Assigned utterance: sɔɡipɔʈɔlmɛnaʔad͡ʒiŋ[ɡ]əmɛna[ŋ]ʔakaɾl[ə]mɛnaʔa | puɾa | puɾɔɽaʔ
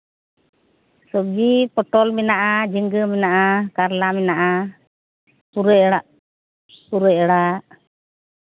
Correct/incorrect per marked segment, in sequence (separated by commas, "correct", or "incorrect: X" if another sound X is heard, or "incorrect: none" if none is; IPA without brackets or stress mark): correct, incorrect: none, incorrect: a